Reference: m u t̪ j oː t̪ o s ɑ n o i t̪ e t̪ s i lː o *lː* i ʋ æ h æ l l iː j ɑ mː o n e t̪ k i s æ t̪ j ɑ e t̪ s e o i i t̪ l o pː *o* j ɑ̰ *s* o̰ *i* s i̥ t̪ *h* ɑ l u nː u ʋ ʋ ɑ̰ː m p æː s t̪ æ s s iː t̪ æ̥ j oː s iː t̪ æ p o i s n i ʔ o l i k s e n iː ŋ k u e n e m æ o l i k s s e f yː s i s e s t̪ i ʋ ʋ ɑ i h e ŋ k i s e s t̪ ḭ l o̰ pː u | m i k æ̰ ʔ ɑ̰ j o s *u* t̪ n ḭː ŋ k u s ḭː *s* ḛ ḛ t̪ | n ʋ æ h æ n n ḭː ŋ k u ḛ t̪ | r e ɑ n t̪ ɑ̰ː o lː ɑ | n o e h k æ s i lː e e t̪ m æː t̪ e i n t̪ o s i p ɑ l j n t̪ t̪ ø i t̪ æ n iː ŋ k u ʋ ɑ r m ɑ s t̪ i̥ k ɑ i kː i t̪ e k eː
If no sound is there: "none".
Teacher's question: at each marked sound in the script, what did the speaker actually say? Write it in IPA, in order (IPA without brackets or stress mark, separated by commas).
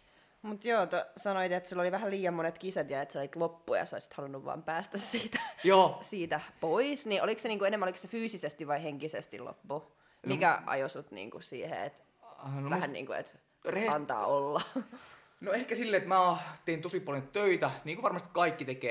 l, u, s, i, h, u, h